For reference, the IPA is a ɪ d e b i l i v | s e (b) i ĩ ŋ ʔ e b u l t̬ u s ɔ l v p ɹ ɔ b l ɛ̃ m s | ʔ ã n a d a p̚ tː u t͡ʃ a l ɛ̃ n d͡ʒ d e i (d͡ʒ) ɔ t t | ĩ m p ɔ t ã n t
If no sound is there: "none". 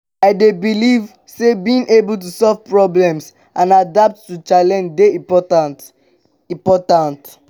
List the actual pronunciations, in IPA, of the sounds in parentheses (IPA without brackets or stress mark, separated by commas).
b, none